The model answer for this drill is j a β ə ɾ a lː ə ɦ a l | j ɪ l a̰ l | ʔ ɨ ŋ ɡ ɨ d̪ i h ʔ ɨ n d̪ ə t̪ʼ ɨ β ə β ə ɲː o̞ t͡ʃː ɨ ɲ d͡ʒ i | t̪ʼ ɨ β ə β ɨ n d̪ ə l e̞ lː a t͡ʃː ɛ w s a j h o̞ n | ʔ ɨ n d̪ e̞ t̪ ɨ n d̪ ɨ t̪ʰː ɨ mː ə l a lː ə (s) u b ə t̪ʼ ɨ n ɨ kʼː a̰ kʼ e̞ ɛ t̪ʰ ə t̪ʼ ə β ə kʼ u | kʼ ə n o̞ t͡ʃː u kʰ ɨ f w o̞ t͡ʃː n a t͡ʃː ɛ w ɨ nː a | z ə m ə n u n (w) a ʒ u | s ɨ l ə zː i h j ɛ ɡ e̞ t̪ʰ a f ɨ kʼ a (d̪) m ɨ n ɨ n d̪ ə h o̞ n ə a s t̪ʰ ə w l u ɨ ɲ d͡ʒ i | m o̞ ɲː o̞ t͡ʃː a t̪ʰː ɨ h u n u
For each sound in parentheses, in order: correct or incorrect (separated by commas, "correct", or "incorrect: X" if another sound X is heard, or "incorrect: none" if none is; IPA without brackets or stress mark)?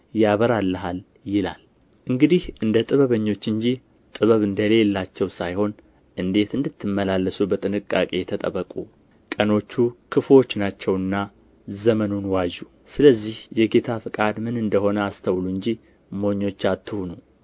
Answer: correct, correct, correct